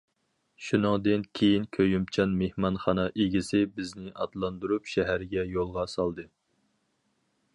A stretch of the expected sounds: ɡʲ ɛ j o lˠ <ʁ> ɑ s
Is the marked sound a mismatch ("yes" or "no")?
no